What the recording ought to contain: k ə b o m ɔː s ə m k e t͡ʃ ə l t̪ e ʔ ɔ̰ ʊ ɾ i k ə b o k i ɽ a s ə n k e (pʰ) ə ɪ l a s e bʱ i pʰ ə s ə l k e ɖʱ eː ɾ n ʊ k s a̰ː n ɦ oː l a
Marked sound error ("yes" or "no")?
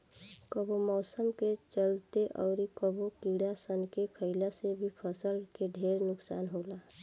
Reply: yes